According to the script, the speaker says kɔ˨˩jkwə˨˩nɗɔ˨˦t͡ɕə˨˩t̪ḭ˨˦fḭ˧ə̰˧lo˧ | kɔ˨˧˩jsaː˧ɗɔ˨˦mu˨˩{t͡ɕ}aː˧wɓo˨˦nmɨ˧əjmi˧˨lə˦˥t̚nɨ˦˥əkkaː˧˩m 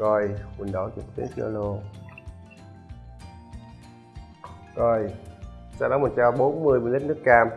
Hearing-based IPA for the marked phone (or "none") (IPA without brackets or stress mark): t͡ɕ